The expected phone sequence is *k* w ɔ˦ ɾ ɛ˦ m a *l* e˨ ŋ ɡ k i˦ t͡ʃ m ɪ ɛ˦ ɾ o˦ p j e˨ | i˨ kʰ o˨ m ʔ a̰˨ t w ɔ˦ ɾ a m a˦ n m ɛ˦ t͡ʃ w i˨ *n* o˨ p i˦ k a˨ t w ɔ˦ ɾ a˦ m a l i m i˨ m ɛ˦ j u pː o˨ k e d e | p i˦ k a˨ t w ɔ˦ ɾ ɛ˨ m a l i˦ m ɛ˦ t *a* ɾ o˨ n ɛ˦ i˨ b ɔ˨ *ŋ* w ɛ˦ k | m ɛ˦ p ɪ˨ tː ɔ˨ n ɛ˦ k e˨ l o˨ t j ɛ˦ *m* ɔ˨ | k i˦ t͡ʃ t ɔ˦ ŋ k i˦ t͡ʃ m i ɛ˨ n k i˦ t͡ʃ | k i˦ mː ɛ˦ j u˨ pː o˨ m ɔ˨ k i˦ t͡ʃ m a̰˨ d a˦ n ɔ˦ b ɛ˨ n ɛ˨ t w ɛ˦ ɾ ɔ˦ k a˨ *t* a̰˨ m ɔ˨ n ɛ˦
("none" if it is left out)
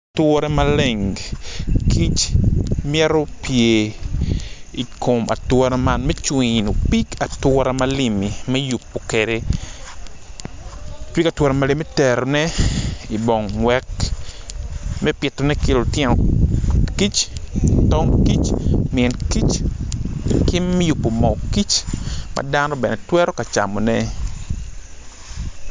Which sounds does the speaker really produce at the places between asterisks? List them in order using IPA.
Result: t, l, n, ɛ, ŋ, n, t͡ʃ

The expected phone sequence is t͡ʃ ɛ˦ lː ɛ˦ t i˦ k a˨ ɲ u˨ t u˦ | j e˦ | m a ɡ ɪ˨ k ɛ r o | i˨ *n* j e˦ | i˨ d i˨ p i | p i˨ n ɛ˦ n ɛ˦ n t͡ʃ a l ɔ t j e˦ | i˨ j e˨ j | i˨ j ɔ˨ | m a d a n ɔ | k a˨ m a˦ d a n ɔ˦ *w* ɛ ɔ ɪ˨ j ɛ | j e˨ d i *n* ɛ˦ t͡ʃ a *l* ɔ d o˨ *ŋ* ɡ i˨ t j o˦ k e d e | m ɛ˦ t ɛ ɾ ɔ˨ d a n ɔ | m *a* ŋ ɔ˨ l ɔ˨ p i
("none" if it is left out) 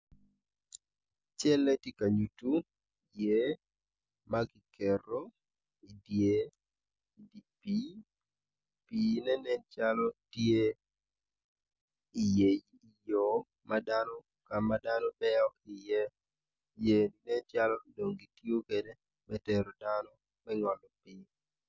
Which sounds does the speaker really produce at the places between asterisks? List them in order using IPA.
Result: d, b, n, l, ŋ, ɛ

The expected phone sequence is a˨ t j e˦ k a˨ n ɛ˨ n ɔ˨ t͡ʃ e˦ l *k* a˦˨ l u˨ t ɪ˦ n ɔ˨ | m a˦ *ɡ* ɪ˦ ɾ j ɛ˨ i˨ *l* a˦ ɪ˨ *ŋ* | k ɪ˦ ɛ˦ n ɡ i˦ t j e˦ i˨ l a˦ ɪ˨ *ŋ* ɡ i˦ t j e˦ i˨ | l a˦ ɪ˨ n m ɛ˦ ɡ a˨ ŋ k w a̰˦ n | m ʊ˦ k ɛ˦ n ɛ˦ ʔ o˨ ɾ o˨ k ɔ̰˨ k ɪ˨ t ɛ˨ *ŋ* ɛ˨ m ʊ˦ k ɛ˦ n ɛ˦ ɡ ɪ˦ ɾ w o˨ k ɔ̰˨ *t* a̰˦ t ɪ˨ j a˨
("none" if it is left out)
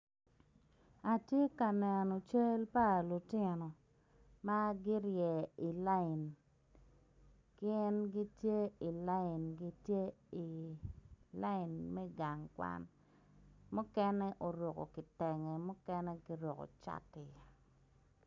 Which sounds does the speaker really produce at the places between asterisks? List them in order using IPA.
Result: p, ɡ, l, n, n, ŋ, t͡ʃ

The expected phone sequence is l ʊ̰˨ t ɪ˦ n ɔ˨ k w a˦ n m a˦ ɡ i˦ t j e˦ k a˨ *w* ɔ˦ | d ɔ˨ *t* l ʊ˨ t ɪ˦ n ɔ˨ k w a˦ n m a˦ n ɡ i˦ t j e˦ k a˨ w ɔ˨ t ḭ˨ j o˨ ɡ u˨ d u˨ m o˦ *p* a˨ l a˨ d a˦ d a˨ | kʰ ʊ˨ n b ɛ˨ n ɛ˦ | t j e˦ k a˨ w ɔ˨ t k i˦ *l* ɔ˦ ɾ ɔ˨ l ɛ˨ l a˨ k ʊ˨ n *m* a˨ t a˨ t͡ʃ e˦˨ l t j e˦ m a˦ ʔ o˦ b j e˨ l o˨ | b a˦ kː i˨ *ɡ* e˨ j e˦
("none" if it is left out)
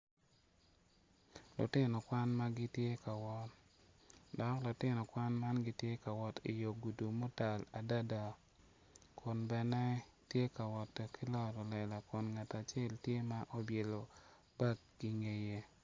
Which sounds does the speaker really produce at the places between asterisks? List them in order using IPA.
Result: w, k, t, l, ŋ, ŋ

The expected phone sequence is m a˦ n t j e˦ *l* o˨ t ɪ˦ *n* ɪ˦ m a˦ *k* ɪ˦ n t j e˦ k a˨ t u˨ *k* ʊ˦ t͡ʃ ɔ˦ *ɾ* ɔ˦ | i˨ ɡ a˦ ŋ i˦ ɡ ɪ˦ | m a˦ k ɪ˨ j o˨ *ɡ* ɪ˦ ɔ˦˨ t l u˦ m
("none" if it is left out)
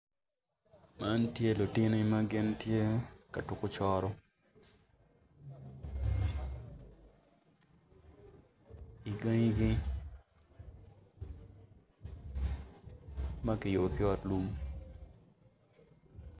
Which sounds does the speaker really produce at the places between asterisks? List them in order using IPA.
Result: l, n, ɡ, k, ɾ, k

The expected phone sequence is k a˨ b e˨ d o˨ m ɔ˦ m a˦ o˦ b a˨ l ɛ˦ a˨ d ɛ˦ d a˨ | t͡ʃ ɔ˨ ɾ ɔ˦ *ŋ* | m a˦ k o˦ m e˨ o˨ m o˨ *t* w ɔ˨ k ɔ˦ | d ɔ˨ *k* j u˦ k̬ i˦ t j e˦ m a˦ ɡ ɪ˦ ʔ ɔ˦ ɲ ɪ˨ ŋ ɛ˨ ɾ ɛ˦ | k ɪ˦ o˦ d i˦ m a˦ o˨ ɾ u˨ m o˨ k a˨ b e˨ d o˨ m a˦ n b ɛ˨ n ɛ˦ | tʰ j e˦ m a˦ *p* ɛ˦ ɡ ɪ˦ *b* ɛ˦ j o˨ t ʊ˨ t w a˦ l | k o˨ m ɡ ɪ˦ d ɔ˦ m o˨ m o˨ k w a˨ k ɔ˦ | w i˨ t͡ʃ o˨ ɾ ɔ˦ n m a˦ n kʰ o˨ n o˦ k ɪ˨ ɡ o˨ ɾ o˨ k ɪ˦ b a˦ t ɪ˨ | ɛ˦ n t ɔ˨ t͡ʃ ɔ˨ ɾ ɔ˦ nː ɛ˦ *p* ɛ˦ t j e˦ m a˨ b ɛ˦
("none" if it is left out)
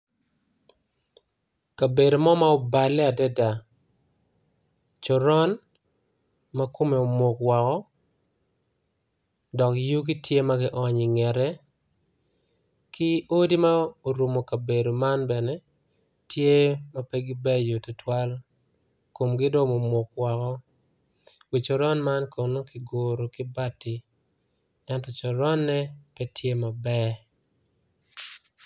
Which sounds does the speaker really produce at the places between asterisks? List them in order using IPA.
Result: n, k, k, p, b, p

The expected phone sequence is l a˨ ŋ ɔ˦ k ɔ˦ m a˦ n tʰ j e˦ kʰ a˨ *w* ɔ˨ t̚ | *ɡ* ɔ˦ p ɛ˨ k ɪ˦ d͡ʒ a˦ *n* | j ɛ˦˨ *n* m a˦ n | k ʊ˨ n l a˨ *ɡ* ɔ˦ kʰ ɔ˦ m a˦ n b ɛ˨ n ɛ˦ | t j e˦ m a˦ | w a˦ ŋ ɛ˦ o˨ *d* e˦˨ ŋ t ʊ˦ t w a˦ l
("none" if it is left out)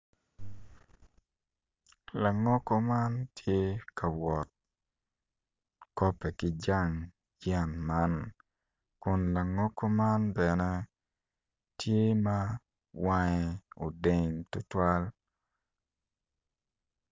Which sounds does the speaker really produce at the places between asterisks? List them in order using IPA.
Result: w, k, ŋ, n, ŋ, d

